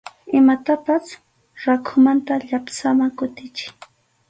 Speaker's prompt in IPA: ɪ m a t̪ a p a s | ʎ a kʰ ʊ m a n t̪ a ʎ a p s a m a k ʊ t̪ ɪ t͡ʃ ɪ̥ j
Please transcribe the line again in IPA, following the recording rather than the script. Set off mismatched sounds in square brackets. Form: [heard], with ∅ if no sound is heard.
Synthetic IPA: ɪ m a t̪ a p a s | [ɾ] a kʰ ʊ m a n t̪ a ʎ a p s a m a k ʊ t̪ ɪ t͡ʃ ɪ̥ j